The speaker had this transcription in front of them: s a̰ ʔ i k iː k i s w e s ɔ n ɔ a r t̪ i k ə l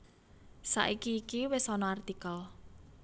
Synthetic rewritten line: s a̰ ʔ i k iː k i w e s ɔ n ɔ a r t̪ i k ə l

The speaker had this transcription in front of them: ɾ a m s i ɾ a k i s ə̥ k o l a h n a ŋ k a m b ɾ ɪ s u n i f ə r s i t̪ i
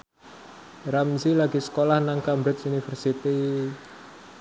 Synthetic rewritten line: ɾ a m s i l a ɡ i s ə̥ k o l a h n a ŋ k a m b ɾ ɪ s u n i f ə r s i t̪ i

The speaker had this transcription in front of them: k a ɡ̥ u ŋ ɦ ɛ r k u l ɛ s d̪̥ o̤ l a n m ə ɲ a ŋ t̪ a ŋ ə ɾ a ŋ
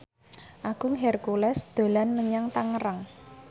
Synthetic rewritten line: ʔ a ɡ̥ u ŋ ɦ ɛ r k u l ɛ s d̪̥ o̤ l a n m ə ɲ a ŋ t̪ a ŋ ə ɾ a ŋ

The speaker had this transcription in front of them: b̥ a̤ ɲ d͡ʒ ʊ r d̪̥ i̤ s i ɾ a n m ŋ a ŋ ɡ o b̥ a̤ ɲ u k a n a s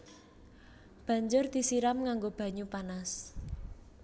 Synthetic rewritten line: b̥ a̤ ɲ d͡ʒ ʊ r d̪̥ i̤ s i ɾ a m ŋ a ŋ ɡ o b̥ a̤ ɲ u p a n a s

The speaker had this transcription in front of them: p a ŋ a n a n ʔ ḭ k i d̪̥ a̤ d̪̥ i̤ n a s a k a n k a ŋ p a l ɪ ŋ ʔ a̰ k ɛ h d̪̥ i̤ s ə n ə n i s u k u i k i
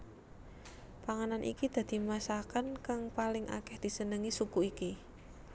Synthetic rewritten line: p a ŋ a n a n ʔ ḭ k i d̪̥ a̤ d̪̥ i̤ m a s a k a n k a ŋ p a l ɪ ŋ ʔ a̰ k ɛ h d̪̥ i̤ s ə n ə ŋ i s u k u i k i

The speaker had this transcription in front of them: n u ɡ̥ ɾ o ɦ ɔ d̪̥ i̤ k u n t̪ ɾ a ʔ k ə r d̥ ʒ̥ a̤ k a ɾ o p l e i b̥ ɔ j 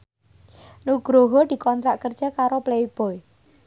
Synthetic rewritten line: n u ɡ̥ ɾ o ɦ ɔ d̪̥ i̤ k ɔ n t̪ ɾ a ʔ k ə r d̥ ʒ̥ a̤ k a ɾ o p l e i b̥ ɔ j

